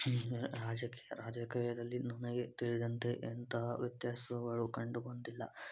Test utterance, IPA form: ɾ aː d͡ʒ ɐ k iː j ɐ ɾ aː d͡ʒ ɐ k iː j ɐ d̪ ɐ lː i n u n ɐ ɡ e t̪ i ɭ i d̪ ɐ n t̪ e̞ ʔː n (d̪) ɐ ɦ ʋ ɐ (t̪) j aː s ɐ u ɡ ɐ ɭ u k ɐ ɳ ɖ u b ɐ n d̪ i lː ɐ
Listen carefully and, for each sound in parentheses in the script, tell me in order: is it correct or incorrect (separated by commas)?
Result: incorrect, correct